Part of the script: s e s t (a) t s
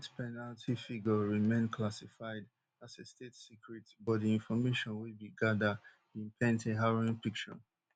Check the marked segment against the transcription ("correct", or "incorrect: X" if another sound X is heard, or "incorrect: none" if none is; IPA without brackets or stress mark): incorrect: e